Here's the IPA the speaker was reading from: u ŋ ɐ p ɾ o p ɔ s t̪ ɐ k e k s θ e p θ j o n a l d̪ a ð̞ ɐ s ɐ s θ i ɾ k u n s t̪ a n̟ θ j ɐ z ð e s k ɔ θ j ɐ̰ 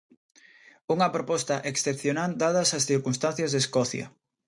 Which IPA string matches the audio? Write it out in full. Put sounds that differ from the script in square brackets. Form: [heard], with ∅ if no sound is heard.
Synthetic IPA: u ŋ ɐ p ɾ o p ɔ s t̪ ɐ [ʔ] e k s θ e p θ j o n a l d̪ a ð̞ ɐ s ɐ s θ i ɾ k u n s t̪ a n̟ θ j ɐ z ð e s k ɔ θ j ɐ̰